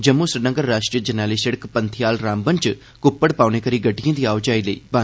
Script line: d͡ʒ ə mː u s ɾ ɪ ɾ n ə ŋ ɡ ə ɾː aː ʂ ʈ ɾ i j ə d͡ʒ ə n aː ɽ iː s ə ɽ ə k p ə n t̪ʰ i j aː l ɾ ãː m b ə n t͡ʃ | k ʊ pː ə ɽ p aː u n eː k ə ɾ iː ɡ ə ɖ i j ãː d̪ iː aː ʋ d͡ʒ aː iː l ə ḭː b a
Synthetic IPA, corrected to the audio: d͡ʒ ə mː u s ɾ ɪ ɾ n ə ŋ ɡ ə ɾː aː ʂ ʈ ɾ i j ə d͡ʒ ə n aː l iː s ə ɽ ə k p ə n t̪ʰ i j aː l ɾ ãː m b ə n t͡ʃ | k ʊ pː ə ɽ p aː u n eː k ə ɾ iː ɡ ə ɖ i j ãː d̪ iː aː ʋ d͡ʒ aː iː l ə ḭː b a